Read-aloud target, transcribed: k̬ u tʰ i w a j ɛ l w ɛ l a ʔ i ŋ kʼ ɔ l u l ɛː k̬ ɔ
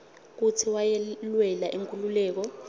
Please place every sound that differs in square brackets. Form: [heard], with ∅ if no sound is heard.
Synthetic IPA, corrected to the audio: k̬ u tʰ i w a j ɛ l w ɛ l a ʔ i ŋ kʼ [u] l u l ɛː k̬ ɔ

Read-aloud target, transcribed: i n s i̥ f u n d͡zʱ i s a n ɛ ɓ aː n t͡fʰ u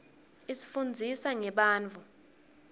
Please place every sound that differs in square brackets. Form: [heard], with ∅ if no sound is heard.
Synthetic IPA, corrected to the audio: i [∅] s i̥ f u n d͡zʱ i s a [ŋ] ɛ ɓ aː n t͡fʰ u

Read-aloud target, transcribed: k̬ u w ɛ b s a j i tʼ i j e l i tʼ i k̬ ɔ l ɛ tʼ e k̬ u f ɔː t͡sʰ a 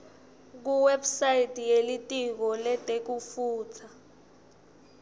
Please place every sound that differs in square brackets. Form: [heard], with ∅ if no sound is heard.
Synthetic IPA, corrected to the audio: k̬ u w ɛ b s a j i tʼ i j e l i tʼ i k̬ ɔ l ɛ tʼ e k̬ u f [uː] t͡sʰ a

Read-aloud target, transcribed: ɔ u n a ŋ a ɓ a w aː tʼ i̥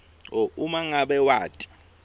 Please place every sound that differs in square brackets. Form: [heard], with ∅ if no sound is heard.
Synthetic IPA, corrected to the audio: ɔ u [m] a ŋ a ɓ [ɛ] w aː tʼ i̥

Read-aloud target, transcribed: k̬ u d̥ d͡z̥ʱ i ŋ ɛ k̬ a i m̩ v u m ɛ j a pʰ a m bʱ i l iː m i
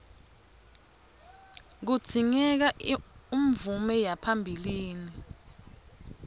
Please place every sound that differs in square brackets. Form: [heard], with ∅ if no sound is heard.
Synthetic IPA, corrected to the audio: k̬ u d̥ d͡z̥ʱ i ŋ ɛ k̬ a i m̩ v u m ɛ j a pʰ a m bʱ i l iː [n] i

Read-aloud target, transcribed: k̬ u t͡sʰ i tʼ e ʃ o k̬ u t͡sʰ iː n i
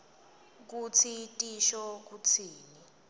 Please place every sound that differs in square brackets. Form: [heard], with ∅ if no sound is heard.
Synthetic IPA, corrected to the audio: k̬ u t͡sʰ i tʼ [i] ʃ [ɔ] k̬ u t͡sʰ iː n i

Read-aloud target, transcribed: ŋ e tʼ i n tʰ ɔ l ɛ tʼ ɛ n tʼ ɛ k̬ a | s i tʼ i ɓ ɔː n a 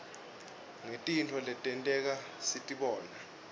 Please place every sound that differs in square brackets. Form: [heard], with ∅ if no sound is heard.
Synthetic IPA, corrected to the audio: ŋ e tʼ i n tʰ ɔ l ɛ tʼ ɛ n tʼ ɛ k̬ a | s i tʼ i ɓ ɔː n a

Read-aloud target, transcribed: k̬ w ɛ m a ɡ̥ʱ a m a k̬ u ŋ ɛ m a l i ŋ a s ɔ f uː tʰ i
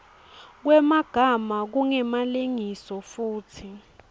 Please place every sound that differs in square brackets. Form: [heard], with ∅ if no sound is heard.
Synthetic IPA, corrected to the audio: k̬ w ɛ m a ɡ̥ʱ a m a k̬ u ŋ ɛ m a l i ŋ [i] s ɔ f uː tʰ i

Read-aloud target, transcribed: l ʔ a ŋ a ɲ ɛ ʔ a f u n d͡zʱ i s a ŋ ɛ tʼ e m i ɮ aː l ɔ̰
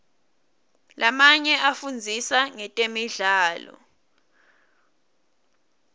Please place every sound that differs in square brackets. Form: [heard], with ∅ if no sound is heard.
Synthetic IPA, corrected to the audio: l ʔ a [m] a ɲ ɛ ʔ a f u n d͡zʱ i s a ŋ ɛ tʼ e m i ɮ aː l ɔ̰

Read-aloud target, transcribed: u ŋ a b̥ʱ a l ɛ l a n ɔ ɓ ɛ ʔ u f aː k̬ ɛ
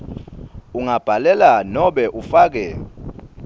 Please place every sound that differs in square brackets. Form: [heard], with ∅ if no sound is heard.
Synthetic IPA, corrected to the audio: u ŋ a b̥ʱ a l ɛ l a n ɔ ɓ ɛ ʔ u f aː k̬ ɛ

